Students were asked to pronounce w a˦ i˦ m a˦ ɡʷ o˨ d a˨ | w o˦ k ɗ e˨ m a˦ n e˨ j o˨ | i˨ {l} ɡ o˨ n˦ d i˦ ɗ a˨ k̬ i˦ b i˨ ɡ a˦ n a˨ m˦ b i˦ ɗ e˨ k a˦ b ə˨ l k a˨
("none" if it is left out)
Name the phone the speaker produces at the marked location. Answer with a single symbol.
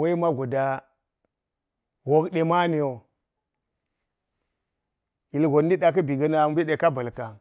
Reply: l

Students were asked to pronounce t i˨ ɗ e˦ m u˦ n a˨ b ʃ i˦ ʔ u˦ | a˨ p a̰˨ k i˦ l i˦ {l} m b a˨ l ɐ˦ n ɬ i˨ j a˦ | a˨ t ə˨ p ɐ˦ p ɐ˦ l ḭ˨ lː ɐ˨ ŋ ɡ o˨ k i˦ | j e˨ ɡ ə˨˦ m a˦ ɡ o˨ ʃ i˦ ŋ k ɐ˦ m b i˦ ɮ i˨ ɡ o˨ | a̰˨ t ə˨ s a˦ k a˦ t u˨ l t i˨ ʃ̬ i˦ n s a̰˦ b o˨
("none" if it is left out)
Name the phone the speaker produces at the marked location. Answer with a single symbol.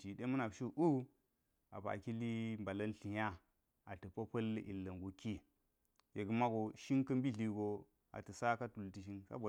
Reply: none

